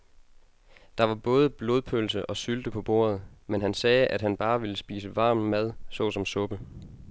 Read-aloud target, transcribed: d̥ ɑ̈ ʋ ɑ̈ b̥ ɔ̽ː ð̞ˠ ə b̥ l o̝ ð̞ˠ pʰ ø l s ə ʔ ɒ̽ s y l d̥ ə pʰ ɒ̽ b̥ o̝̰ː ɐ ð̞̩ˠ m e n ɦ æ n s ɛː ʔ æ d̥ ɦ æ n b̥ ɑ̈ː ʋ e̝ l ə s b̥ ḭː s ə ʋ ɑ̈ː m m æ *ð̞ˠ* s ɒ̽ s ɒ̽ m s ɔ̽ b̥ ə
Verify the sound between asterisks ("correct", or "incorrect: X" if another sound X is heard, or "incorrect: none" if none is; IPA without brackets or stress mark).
correct